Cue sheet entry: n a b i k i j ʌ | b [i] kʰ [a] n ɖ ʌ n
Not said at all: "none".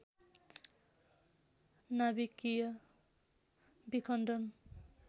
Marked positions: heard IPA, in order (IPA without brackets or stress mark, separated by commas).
i, ʌ